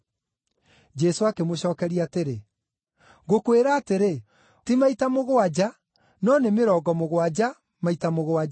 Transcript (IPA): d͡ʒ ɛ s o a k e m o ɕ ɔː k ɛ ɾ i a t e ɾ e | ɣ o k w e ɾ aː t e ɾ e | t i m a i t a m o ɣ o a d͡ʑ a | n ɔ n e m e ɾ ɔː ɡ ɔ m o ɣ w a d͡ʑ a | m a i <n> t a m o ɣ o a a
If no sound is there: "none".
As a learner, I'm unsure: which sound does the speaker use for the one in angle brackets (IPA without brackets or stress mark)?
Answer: none